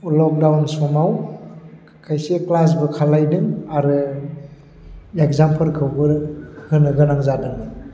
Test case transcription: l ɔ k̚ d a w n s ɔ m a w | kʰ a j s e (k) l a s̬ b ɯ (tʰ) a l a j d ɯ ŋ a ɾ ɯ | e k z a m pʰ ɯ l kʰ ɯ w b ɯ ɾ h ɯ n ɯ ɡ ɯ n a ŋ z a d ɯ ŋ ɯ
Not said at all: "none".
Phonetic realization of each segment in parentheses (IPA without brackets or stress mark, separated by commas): k, kʰ